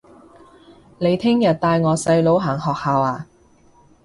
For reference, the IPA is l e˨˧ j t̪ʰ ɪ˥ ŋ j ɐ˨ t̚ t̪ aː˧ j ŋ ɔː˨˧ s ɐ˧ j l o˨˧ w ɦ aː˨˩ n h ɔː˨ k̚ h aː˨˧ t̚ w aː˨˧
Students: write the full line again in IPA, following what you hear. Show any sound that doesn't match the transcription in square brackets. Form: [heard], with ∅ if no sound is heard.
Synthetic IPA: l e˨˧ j t̪ʰ ɪ˥ ŋ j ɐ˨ t̚ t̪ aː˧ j ŋ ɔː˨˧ s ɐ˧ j l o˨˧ w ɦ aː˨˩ [ŋ] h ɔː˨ k̚ h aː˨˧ [∅] w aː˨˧